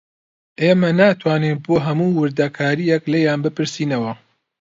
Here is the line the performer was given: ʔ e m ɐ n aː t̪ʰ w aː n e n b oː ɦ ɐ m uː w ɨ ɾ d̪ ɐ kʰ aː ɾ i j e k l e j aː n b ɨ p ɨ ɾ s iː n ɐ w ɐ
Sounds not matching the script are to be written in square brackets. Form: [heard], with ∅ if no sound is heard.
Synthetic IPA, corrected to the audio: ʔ e m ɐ n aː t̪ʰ w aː n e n b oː ɦ ɐ m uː w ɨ ɾ d̪ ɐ kʰ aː ɾ i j [ɛ] k l e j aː n b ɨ p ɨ ɾ s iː n ɐ w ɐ